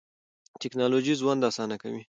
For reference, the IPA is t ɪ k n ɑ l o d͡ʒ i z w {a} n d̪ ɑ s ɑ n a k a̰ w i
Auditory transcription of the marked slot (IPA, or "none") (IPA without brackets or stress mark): a